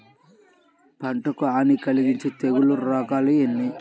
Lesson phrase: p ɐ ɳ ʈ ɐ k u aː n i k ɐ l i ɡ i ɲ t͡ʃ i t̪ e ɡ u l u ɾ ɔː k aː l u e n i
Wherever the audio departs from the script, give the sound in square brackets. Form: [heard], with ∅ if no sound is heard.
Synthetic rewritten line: p ɐ ɳ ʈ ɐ k u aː n i k ɐ l i ɡ i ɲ t͡ʃ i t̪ e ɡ u l u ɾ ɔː k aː l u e [nː] i